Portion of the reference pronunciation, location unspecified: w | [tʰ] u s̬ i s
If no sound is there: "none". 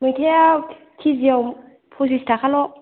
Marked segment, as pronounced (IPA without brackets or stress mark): pʰ